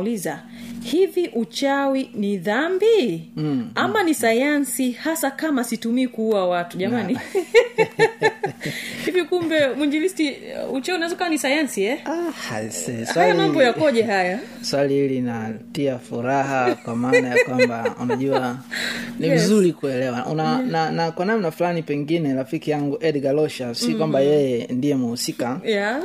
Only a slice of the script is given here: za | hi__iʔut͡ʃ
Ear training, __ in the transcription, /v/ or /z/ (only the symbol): v